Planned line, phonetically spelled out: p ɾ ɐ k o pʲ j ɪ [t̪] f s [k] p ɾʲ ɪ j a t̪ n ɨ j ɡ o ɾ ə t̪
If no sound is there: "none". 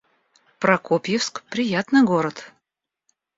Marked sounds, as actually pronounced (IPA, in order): none, k

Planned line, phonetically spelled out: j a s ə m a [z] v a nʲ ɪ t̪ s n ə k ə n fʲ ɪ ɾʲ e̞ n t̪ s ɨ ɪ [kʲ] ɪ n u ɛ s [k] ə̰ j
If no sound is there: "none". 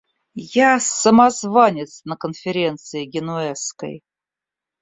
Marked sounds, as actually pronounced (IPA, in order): z, ɡʲ, k

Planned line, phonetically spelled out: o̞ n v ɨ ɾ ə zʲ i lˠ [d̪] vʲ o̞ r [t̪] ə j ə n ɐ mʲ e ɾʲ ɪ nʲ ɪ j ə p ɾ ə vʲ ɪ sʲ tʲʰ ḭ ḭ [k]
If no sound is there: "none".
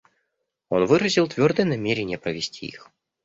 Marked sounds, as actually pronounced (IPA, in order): t̪, d̪, x

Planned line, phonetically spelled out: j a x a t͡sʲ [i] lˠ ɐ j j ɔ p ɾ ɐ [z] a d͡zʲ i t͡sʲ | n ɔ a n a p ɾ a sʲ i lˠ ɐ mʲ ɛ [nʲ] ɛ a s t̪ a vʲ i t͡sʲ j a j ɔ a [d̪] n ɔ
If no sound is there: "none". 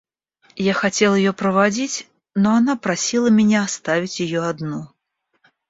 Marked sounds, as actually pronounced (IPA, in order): ɛ, v, nʲ, d̪

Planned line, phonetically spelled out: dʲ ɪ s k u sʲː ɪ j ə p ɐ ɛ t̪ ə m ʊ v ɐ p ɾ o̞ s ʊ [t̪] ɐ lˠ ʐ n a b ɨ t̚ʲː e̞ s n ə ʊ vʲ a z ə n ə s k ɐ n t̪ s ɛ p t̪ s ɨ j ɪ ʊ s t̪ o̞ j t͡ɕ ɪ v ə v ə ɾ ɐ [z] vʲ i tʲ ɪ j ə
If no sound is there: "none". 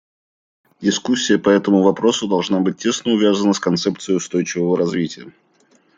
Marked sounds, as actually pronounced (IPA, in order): d̪, z

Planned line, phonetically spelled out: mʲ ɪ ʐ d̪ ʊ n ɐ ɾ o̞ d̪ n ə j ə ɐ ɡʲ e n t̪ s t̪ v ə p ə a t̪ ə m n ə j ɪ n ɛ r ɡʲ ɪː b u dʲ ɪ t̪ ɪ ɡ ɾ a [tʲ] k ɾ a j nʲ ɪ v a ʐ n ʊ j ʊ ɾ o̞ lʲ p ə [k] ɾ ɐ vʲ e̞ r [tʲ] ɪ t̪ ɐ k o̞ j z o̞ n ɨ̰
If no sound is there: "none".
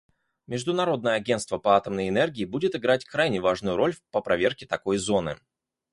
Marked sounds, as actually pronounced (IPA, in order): tʲ, p, kʲ

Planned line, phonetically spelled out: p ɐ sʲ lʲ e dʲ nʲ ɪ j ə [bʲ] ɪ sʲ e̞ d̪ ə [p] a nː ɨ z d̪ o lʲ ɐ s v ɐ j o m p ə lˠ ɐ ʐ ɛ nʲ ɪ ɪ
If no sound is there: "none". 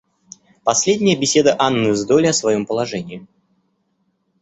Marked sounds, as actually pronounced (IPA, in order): bʲ, ʔ

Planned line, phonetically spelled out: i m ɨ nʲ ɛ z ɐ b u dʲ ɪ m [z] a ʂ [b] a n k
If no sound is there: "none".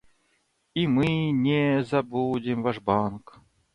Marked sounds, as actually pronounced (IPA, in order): v, b

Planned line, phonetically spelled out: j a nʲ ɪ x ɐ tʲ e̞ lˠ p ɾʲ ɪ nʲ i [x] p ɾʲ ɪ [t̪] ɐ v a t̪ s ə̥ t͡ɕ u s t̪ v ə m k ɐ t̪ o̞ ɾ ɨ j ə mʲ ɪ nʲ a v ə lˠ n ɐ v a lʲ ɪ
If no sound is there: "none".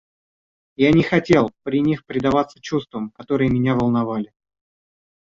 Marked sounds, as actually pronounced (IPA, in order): x, d̪

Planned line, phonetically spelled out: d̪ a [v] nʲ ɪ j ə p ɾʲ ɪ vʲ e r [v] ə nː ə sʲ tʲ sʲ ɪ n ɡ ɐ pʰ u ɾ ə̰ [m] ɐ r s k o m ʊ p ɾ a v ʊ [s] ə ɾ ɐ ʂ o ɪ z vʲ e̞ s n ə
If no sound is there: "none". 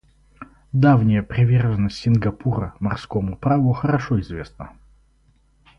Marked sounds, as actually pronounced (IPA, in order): v, ʐ, m, x

